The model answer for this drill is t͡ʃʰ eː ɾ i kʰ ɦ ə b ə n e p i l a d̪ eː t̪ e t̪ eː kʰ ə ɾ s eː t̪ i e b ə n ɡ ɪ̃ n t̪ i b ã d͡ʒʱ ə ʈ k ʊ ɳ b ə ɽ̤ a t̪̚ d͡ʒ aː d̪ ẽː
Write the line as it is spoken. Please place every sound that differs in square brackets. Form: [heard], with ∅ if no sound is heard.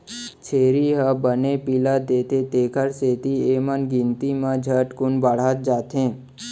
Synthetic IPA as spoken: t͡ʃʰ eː ɾ i [∅] ɦ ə b ə n e p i l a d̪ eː t̪ e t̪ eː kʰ ə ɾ s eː t̪ i e [m] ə n ɡ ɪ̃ n t̪ i [m] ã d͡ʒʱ ə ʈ k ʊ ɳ b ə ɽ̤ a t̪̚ d͡ʒ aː [t̪] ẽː